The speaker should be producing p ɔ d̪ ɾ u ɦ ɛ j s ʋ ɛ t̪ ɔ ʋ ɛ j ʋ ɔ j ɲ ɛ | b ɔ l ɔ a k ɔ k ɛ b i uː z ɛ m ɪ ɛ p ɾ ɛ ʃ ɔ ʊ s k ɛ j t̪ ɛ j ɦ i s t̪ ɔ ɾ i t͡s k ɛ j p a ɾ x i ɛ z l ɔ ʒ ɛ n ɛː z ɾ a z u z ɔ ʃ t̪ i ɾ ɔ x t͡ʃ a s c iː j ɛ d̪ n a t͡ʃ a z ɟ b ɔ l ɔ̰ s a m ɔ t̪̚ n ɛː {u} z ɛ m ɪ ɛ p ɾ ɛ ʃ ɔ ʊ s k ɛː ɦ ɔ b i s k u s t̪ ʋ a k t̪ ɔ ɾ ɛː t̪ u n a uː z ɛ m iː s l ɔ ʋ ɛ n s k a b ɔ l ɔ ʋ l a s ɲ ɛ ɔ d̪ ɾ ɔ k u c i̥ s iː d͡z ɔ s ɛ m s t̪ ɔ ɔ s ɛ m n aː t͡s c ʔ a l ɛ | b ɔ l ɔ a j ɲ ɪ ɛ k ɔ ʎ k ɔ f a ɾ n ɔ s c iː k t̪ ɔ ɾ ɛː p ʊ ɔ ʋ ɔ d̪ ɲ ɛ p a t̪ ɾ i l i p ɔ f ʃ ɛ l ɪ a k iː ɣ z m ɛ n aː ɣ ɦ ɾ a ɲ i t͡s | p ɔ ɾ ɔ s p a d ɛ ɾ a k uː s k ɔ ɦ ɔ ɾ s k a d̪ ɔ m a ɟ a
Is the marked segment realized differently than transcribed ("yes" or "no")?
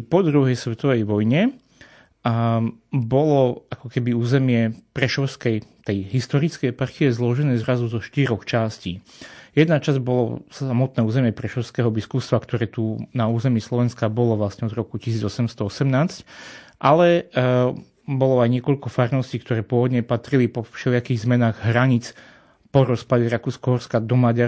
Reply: yes